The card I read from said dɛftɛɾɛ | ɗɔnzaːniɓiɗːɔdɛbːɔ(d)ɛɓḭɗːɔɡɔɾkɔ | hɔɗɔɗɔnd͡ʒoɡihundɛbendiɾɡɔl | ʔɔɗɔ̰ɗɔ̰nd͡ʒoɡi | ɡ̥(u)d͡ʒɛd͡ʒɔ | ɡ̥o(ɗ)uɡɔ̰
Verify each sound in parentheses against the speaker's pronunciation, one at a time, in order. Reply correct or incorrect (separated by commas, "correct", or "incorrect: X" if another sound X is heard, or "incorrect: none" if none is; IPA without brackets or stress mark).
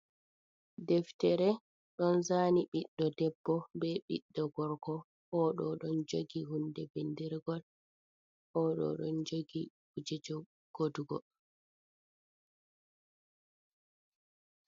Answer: incorrect: b, correct, incorrect: d